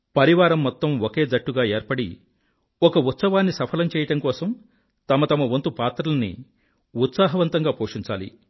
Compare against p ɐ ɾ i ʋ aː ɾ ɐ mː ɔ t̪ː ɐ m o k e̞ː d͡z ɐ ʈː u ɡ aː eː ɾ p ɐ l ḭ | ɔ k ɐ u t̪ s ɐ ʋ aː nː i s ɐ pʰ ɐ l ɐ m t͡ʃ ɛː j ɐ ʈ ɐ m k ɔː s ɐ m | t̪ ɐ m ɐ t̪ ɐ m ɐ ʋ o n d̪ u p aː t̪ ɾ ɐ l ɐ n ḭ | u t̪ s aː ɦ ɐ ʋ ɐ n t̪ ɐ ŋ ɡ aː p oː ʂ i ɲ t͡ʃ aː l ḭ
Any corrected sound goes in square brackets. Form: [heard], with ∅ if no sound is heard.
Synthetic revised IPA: p ɐ ɾ i ʋ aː ɾ ɐ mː ɔ t̪ː ɐ m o k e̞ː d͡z ɐ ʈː u ɡ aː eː ɾ p ɐ [ɽ] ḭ | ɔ k ɐ u t̪ s ɐ ʋ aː nː i s ɐ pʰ ɐ l ɐ m t͡ʃ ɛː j ɐ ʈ ɐ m k ɔː s ɐ m | t̪ ɐ m ɐ t̪ ɐ m ɐ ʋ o n [t̪] u p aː t̪ ɾ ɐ l ɐ n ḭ | u t̪ s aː ɦ ɐ ʋ ɐ n t̪ ɐ ŋ ɡ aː p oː ʂ i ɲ t͡ʃ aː l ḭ